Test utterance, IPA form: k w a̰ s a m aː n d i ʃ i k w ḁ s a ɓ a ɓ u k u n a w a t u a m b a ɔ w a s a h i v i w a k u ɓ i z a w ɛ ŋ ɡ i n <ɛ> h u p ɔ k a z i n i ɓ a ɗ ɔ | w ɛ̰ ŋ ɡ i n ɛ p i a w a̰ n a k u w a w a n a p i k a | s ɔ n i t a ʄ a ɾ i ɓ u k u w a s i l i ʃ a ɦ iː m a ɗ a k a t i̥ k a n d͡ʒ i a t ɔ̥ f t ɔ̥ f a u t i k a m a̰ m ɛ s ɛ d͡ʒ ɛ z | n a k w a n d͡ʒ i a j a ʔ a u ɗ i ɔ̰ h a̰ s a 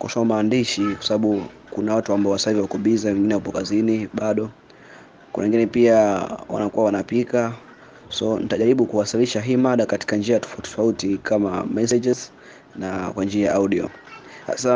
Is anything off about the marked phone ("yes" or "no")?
no